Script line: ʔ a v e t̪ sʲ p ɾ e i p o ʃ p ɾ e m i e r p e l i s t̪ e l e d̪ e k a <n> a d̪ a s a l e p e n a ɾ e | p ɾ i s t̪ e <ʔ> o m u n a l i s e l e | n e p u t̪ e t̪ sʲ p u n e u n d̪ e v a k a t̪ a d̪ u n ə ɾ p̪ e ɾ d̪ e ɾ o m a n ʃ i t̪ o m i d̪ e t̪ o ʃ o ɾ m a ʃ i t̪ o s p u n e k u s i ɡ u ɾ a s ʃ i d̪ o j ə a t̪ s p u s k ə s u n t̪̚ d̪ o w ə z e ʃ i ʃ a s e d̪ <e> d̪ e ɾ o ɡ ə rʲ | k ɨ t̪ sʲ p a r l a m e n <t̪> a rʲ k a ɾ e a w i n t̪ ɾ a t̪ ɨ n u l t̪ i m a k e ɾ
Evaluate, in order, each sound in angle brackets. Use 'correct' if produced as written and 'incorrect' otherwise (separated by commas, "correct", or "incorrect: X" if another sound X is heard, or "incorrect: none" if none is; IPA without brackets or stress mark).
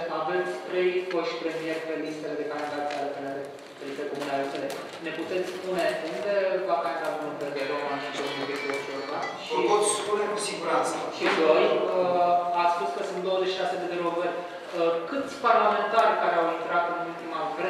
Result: correct, incorrect: k, correct, correct